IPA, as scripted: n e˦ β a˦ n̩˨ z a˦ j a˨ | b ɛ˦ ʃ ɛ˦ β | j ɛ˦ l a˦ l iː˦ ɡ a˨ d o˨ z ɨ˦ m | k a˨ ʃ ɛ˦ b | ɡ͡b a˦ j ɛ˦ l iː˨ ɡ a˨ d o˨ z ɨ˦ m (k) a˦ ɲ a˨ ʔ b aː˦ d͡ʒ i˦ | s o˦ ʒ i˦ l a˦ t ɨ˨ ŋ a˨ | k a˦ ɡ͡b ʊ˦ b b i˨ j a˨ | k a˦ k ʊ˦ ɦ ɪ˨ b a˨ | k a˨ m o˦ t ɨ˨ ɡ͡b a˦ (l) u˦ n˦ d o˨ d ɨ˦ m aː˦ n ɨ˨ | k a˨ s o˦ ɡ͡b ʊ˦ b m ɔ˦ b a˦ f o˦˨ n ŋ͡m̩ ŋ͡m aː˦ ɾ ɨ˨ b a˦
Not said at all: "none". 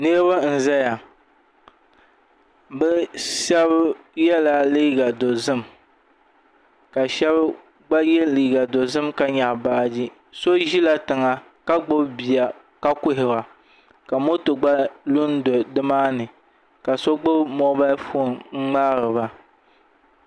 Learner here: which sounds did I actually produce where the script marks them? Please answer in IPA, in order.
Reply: k, l

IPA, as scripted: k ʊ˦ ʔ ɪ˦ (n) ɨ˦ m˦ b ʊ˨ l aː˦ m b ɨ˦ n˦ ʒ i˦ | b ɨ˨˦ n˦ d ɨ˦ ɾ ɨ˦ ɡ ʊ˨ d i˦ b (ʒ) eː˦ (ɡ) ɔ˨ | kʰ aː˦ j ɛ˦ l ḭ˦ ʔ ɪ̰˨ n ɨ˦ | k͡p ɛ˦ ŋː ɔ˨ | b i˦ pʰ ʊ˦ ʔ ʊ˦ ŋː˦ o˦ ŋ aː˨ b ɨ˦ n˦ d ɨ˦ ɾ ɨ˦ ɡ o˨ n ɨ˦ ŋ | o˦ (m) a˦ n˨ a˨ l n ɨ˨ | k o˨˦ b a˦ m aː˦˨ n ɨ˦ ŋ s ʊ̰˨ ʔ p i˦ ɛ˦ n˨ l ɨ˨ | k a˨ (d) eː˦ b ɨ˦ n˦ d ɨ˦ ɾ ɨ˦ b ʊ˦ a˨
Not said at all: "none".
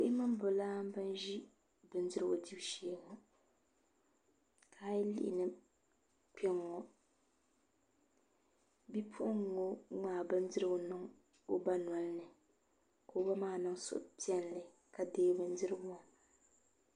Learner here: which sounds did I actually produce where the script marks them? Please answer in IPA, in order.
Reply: m, ʃ, ŋ, b, d

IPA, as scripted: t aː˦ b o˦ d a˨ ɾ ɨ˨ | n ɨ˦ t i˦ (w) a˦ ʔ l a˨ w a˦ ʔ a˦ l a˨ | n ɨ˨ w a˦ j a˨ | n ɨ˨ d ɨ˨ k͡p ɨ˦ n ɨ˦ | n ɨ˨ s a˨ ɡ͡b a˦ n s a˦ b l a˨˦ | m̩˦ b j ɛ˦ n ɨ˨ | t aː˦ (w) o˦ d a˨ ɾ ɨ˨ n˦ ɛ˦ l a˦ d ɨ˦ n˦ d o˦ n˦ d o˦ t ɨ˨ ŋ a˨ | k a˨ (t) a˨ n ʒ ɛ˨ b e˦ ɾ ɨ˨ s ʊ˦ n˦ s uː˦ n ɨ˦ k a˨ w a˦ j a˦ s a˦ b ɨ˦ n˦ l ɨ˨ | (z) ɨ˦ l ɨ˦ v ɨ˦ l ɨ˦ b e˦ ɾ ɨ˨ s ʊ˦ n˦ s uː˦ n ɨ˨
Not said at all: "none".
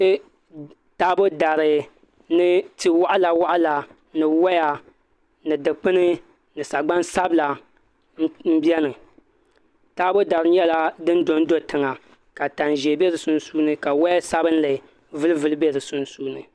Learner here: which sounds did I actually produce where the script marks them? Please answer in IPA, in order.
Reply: w, b, t, v

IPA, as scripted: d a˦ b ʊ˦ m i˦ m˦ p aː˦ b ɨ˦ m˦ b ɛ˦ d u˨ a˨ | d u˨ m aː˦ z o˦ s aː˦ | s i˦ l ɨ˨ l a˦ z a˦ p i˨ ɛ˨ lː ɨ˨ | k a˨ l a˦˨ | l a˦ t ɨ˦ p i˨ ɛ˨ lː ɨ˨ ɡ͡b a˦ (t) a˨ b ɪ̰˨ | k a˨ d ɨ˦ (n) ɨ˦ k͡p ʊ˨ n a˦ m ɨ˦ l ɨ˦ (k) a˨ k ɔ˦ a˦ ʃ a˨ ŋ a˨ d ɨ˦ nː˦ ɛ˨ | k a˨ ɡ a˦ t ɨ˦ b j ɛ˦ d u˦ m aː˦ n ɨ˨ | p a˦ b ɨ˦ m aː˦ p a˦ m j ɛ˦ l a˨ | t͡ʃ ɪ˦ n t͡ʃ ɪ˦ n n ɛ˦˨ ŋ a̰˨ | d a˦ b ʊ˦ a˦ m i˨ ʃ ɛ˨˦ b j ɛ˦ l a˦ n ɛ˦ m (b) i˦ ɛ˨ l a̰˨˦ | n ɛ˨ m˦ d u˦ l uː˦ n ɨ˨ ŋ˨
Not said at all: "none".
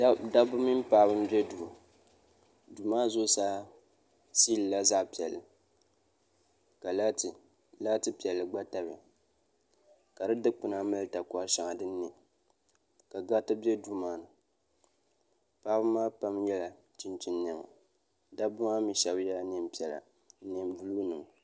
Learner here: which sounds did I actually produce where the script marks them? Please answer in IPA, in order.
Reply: t, d, t, p

